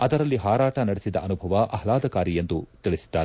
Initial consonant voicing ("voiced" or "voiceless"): voiced